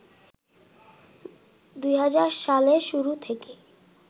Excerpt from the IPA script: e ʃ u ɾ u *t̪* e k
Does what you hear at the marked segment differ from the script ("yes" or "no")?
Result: yes